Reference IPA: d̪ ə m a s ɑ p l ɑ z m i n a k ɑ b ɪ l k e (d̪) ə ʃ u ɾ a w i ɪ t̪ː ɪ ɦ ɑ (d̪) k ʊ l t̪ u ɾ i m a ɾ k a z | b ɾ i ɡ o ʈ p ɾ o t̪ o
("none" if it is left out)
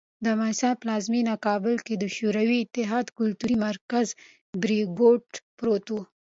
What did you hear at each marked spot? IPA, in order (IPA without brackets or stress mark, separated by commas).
d̪, d̪